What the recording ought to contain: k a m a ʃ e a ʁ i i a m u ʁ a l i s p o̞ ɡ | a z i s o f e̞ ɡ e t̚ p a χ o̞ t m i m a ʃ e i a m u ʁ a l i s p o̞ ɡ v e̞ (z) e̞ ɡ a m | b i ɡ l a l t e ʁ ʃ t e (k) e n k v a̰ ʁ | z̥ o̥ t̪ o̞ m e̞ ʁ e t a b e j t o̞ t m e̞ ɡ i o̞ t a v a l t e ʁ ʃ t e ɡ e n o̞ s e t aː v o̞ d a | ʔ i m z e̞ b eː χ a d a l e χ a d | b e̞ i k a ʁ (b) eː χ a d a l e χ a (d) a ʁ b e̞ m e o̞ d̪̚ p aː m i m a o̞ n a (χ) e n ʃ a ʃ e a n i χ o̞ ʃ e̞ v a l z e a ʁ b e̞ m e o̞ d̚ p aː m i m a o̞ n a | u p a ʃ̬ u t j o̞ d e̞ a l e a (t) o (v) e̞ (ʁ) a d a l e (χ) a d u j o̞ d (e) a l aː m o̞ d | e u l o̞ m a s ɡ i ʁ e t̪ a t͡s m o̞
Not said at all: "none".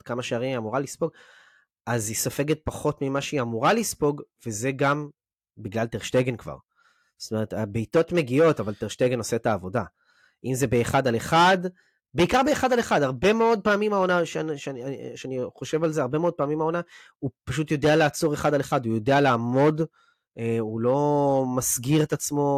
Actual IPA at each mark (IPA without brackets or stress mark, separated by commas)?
z, ɡ, b, d, ʃ, t͡s, ʁ, χ, χ, e